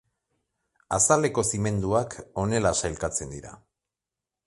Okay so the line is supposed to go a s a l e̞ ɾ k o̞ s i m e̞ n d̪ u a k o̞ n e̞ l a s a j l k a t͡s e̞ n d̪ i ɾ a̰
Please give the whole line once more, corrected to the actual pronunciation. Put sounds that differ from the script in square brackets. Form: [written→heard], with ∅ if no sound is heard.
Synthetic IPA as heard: a s a l e̞ [ɾ→∅] k o̞ s i m e̞ n d̪ u a k o̞ n e̞ l a s a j l k a t͡s e̞ n d̪ i ɾ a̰